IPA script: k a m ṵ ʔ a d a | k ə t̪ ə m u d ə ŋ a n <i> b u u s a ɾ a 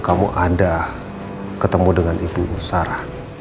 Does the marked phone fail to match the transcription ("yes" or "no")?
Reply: no